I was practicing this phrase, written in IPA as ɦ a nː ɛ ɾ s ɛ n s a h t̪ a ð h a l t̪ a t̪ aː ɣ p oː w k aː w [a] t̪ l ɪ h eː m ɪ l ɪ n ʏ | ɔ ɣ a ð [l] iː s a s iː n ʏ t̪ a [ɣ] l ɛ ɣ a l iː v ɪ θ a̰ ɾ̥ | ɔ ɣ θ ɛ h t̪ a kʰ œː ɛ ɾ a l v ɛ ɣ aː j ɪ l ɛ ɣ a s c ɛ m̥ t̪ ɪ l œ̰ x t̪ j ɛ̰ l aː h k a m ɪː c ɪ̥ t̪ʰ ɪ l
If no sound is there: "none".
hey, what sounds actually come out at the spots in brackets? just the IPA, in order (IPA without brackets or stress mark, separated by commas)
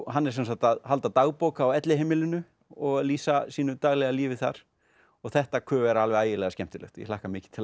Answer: ɛ, l, ɣ